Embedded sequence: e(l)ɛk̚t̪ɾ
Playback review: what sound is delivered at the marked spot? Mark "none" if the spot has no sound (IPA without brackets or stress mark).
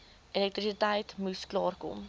l